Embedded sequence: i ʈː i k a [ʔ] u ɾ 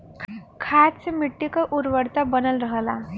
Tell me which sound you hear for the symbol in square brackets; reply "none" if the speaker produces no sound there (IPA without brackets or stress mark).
ʔ